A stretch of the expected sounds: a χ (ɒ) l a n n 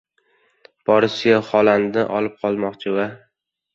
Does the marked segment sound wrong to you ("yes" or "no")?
no